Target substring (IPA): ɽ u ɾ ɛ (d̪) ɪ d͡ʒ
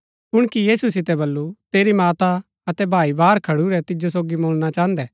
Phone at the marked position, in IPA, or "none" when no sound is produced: t̪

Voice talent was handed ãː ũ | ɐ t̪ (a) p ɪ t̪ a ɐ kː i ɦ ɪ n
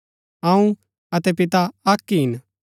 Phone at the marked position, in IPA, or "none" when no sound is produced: ɛ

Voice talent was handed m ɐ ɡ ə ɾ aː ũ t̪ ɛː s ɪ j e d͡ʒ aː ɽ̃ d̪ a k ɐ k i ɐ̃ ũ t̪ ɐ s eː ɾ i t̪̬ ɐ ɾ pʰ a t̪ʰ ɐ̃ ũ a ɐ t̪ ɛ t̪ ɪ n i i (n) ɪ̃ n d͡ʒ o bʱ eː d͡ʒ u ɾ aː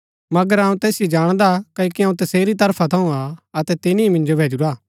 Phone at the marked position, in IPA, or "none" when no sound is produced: m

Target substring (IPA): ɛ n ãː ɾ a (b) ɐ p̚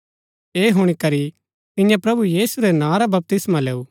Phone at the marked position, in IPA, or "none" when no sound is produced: b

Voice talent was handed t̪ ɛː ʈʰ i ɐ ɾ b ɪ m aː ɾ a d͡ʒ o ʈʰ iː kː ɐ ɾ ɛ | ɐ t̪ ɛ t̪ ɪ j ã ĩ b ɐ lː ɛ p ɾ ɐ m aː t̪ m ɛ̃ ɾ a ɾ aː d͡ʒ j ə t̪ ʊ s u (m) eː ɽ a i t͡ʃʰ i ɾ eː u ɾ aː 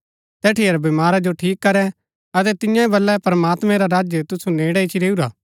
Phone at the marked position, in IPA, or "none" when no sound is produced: n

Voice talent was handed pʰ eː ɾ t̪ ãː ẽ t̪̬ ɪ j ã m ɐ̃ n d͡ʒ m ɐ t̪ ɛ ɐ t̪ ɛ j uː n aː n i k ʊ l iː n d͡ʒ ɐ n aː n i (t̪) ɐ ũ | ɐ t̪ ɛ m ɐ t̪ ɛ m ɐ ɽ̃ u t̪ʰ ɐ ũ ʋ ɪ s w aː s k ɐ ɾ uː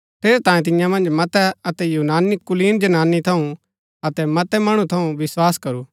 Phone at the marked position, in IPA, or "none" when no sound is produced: t̪ʰ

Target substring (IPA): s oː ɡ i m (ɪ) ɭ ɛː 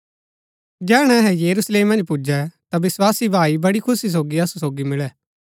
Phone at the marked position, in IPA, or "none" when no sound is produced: ɪ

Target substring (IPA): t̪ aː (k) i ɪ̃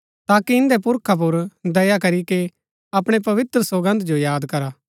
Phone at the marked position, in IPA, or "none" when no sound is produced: k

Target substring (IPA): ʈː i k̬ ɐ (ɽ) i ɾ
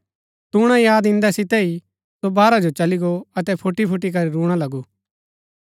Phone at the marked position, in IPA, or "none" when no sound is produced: ɾ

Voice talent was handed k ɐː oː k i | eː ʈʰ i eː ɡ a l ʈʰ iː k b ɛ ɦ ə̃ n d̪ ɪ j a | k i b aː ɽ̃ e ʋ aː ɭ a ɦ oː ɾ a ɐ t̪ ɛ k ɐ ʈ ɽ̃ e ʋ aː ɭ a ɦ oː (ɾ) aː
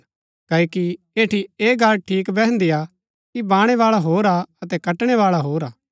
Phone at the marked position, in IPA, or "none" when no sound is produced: ɾ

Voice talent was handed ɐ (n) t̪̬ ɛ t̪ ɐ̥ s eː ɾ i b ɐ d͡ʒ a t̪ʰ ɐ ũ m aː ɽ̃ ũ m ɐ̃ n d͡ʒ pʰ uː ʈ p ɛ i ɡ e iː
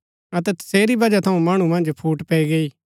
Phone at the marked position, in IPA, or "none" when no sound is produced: none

